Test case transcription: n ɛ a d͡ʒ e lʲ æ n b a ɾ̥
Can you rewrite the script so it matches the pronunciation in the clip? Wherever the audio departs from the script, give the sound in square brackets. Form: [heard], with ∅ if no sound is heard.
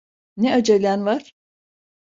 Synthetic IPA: n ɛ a d͡ʒ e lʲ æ n [v] a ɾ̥